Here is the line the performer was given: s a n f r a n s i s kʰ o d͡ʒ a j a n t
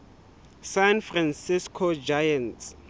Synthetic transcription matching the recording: s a n f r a n s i s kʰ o d͡ʒ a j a n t